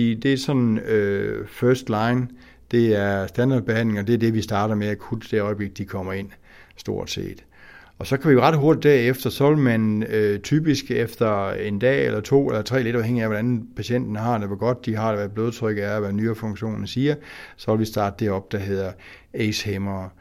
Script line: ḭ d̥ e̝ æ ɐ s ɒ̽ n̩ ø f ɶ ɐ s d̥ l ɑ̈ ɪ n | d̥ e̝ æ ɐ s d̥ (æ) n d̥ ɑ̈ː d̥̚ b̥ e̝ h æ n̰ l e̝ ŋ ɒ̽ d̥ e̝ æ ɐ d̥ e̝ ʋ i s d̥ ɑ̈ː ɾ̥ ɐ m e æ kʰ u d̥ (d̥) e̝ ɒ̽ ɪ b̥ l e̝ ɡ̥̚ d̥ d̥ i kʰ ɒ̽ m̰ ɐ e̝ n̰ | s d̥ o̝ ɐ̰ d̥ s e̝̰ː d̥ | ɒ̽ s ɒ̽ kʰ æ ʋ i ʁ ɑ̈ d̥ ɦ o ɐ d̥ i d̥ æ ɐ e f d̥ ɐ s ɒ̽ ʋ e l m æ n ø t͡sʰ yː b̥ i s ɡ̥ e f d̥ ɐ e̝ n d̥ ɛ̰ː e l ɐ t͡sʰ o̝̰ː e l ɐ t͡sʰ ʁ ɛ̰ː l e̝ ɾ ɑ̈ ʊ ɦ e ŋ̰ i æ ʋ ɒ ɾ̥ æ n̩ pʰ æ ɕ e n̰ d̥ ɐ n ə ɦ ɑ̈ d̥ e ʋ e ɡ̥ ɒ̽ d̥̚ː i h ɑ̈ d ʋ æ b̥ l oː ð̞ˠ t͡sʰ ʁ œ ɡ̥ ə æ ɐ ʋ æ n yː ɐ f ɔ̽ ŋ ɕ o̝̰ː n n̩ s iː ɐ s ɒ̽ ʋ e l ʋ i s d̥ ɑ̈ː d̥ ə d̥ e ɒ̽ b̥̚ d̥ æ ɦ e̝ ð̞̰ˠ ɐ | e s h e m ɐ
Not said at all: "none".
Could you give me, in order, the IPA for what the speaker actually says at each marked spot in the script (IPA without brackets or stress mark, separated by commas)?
æ, d̥